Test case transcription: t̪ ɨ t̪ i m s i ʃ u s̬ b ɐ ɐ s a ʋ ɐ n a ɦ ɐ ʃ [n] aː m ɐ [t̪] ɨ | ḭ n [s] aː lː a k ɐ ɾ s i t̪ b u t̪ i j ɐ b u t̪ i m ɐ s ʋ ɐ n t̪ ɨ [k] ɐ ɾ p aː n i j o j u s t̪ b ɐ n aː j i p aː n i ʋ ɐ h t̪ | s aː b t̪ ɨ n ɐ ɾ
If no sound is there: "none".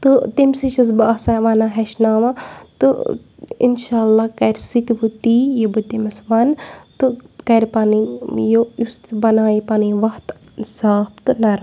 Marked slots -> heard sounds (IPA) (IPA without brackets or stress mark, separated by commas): n, t̪, ʃ, k